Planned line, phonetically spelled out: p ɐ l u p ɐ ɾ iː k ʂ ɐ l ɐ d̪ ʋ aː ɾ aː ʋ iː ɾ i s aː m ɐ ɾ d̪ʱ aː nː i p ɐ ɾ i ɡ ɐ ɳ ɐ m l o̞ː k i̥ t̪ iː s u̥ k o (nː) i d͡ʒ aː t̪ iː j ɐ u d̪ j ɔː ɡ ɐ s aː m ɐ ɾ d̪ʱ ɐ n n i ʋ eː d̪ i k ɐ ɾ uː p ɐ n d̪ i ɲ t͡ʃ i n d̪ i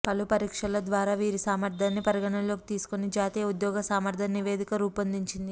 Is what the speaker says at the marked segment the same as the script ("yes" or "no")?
no